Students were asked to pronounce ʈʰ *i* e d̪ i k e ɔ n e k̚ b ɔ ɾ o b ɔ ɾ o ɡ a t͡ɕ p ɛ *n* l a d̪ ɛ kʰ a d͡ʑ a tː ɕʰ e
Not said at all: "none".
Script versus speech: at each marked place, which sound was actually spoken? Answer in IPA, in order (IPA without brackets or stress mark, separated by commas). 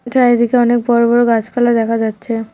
a, none